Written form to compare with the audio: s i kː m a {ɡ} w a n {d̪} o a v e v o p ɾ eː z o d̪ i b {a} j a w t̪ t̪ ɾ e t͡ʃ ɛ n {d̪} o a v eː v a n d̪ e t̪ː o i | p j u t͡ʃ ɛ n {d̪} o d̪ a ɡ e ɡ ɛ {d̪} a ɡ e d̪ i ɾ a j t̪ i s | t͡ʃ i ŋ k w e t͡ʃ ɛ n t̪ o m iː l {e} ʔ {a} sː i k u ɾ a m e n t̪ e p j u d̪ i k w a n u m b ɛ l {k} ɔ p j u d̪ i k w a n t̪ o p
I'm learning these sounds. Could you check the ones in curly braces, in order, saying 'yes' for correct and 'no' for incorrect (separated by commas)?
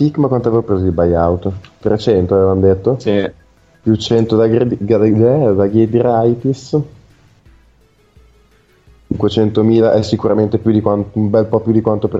no, no, yes, no, no, yes, no, no, no